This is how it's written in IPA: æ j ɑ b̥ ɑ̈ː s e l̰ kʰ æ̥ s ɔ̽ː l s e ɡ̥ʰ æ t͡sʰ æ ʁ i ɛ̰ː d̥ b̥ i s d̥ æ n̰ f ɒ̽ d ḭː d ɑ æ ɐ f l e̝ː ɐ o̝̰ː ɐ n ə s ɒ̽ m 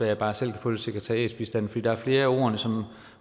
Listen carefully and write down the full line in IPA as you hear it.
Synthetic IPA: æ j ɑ b̥ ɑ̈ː s e l̰ kʰ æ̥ f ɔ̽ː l s e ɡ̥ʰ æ t͡sʰ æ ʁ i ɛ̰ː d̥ b̥ i s d̥ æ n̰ f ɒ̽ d ḭː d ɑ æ ɐ f l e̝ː ɐ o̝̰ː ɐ n ə s ɒ̽ m